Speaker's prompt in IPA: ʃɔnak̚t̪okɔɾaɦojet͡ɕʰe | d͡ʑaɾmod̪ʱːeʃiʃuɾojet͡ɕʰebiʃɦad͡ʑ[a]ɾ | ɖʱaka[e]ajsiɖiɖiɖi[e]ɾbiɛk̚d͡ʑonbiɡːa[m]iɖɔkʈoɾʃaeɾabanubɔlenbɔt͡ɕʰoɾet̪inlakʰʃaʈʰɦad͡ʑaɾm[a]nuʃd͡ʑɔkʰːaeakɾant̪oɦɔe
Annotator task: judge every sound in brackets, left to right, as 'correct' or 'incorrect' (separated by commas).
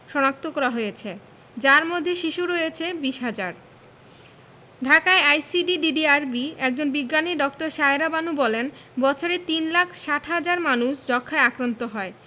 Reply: correct, correct, incorrect, incorrect, correct